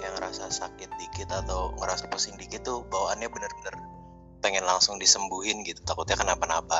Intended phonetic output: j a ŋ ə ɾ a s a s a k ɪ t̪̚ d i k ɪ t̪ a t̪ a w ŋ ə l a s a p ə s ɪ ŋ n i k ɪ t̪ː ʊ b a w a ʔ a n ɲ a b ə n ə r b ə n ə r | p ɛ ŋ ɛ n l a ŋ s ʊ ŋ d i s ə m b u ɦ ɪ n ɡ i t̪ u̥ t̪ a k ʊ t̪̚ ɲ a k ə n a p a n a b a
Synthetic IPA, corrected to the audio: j a ŋ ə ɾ a s a s a k ɪ t̪̚ d i k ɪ t̪ a t̪ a w ŋ ə ɾ a s a p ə s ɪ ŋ d i k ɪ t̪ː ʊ b a w a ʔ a n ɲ a b ə n ə r b ə n ə r | p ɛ ŋ ɛ n l a ŋ s ʊ ŋ d i s ə m b u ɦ ɪ n ɡ i t̪ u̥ t̪ a k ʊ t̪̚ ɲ a k ə n a p a n a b a